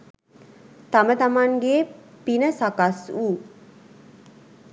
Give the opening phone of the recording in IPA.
t̪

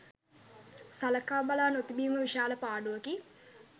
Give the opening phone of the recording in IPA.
s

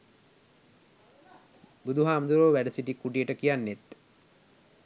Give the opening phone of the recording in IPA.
b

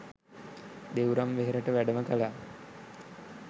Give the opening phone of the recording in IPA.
d̪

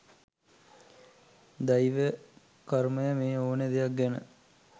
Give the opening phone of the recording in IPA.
d̪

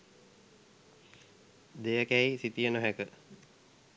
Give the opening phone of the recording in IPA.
d̪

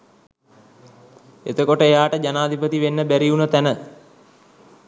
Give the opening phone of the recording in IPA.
e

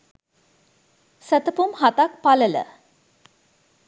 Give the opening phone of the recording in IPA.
s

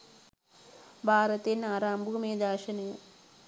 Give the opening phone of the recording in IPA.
bʱ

